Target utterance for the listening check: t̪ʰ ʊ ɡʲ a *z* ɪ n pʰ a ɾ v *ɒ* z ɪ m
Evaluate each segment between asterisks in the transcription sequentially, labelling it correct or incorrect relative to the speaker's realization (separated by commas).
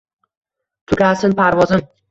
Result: incorrect, correct